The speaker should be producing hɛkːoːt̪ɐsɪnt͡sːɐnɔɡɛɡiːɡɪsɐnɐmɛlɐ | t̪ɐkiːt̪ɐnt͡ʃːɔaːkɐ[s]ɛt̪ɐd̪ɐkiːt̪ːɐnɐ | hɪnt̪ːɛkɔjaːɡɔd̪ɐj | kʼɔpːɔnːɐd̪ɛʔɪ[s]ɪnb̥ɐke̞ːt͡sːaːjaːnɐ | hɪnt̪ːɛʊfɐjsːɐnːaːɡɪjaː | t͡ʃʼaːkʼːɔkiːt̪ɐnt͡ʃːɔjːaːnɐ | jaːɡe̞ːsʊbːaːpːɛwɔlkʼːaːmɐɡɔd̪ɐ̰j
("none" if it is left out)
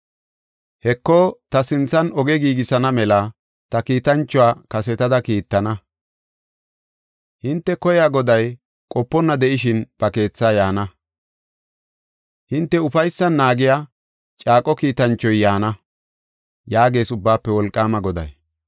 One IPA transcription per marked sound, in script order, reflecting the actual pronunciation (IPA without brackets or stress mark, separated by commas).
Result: s, ʃ